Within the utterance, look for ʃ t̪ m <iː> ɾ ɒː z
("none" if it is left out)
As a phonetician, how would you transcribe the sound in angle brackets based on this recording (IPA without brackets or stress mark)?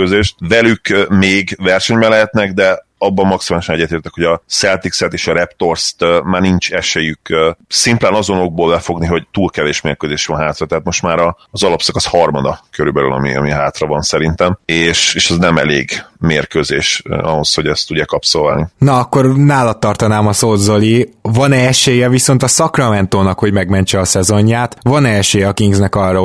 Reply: aː